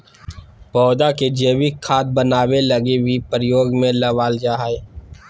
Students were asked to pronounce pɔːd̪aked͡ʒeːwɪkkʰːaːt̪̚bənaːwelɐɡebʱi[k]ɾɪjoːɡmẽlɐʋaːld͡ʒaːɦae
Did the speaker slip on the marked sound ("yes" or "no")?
yes